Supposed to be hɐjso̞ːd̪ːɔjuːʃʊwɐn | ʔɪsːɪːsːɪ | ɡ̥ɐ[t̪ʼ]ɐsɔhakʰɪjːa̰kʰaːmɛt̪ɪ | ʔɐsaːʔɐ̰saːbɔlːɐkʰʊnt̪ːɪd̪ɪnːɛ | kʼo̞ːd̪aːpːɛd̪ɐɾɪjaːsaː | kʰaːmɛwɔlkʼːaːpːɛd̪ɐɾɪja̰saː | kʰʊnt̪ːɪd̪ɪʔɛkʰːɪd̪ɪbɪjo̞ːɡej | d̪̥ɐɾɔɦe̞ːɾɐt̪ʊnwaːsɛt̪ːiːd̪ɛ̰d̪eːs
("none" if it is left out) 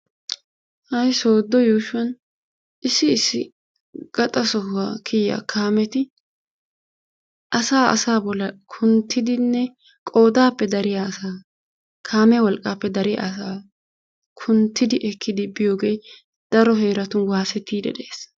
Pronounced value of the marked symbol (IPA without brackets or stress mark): t̪ʼ